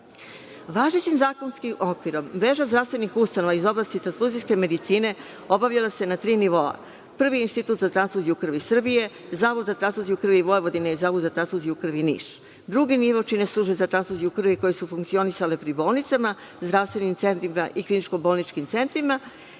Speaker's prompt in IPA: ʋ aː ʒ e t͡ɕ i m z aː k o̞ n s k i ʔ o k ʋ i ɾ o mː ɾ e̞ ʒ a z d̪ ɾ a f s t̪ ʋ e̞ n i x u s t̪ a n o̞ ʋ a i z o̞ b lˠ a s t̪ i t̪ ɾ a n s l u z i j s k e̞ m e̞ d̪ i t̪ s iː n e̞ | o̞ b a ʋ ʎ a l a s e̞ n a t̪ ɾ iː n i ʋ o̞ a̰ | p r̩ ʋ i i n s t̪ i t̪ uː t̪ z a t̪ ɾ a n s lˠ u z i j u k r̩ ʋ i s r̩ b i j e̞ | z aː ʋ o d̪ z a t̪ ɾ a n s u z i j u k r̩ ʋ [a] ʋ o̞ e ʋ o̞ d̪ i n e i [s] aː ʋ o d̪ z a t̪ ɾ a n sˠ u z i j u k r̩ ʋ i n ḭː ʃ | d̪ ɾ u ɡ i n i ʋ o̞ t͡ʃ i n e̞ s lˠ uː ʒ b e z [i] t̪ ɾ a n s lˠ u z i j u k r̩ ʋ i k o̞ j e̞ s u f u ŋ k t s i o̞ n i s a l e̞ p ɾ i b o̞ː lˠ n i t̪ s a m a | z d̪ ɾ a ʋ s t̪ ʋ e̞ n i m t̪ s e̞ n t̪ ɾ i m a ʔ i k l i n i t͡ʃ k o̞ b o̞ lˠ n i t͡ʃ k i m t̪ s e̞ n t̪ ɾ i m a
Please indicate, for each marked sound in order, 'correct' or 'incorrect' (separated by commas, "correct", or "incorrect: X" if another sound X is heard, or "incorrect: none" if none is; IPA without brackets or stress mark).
incorrect: i, incorrect: z, incorrect: a